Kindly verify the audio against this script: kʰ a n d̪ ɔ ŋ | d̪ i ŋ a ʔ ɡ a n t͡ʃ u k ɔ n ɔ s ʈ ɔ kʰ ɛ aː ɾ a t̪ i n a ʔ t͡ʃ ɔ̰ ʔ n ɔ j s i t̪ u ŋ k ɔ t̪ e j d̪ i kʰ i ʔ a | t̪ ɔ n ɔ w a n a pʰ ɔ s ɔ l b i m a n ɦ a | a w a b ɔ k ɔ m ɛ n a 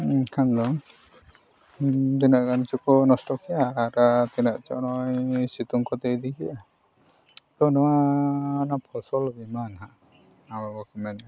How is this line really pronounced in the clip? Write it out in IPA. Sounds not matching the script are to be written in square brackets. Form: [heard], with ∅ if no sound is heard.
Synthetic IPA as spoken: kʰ a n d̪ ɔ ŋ | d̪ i [n] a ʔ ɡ a n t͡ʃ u k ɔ n ɔ s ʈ ɔ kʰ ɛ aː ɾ a t̪ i n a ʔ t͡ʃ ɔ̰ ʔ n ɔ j s i t̪ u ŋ k ɔ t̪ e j d̪ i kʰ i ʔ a | t̪ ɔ n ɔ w a n a pʰ ɔ s ɔ l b i m a n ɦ a | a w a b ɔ k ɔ m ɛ n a